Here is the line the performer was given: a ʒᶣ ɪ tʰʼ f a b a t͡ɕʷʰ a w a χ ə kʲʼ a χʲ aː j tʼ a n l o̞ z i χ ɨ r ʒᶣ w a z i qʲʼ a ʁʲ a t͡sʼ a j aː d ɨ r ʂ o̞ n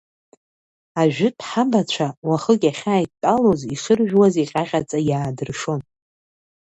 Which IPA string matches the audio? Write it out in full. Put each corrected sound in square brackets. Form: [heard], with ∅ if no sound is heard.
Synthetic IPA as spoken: a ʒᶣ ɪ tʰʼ [ħ] a b a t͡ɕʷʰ a w a χ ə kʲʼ a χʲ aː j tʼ a [∅] l o̞ z i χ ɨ r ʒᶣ w a z i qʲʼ a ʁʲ a t͡sʼ a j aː d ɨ r ʂ o̞ n